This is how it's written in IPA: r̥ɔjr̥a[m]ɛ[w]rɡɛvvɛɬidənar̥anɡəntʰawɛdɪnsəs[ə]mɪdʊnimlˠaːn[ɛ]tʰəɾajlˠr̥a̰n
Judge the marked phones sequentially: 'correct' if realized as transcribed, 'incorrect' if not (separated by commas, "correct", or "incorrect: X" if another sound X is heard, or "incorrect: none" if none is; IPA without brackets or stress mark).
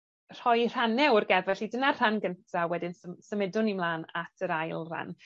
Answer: incorrect: n, correct, correct, incorrect: a